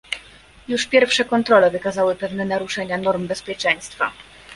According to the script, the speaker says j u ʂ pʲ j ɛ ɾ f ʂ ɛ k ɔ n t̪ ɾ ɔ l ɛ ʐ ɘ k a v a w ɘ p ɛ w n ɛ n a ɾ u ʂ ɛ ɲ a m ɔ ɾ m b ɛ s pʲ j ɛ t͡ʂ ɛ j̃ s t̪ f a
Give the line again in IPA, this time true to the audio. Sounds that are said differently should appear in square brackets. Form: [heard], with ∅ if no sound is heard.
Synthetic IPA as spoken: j u ʂ pʲ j ɛ ɾ f ʂ ɛ k ɔ n t̪ ɾ ɔ l ɛ [v] ɘ k a [z] a w ɘ p ɛ [v] n ɛ n a ɾ u ʂ ɛ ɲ a [n] ɔ ɾ m b ɛ s pʲ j ɛ t͡ʂ ɛ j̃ s t̪ f a